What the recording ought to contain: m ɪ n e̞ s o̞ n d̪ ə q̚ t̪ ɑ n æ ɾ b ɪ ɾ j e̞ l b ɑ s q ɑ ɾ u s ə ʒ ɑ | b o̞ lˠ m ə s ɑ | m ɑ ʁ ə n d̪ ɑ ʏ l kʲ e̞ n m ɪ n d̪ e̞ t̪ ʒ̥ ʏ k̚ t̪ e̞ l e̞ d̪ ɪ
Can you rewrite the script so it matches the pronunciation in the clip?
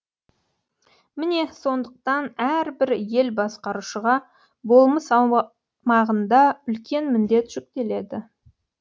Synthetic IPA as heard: m ɪ n e̞ s o̞ n d̪ ə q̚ t̪ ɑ n æ ɾ b ɪ ɾ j e̞ l b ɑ s q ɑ ɾ u ʃ ə ʁ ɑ | b o̞ lˠ m ə s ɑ | m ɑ ʁ ə n d̪ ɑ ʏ l kʲ e̞ n m ɪ n d̪ e̞ t̪ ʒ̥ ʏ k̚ t̪ e̞ l e̞ d̪ ɪ